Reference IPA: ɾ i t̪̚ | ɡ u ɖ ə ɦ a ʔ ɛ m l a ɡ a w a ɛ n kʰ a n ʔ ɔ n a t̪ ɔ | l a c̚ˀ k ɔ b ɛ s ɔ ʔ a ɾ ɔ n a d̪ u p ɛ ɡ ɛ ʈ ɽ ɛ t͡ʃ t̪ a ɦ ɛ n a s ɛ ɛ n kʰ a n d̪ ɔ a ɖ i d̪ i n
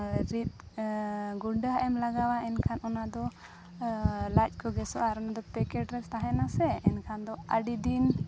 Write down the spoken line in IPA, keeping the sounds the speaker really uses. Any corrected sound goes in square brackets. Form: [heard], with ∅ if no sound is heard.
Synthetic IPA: ɾ i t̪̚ | ɡ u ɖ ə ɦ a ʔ ɛ m l a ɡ a w a ɛ n kʰ a n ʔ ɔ n a [d̪] ɔ | l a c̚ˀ k ɔ [ɡ] ɛ s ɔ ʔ a ɾ ɔ n a d̪ [ɔ] p ɛ [k] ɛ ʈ [ɾ] ɛ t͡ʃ t̪ a ɦ ɛ n a s ɛ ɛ n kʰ a n d̪ ɔ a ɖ i d̪ i n